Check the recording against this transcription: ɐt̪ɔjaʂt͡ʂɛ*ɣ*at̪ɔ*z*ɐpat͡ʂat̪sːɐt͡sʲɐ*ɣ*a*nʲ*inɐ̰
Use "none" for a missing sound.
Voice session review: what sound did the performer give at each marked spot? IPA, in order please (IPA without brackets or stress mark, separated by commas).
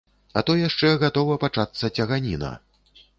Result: ɣ, v, ɣ, nʲ